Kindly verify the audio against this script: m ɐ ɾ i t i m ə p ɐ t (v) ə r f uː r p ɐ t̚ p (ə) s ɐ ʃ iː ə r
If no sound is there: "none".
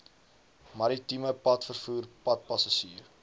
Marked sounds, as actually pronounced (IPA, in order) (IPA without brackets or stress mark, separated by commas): f, ɐ